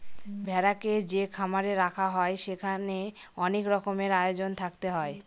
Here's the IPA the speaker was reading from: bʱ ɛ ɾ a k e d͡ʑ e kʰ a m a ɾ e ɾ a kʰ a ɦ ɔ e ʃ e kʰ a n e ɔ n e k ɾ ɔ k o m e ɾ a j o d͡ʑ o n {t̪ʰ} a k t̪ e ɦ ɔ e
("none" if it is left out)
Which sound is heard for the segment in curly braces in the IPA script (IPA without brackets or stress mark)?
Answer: t̪ʰ